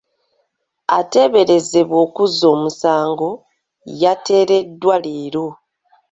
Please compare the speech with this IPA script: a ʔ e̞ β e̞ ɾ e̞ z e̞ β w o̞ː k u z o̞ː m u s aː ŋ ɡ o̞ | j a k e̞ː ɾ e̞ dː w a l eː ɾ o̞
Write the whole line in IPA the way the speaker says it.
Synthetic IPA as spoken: a t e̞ β e̞ ɾ e̞ z e̞ β w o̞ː k u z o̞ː m u s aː ŋ ɡ o̞ | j a t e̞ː ɾ e̞ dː w a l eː ɾ o̞